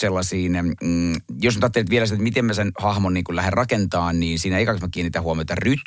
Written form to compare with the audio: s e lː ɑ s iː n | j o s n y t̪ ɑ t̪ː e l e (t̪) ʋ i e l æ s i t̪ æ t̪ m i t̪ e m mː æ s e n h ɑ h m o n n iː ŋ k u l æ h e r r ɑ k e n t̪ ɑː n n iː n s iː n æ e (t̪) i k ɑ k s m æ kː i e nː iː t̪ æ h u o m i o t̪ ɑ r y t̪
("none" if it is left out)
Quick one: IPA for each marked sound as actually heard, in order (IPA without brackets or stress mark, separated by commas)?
t̪, none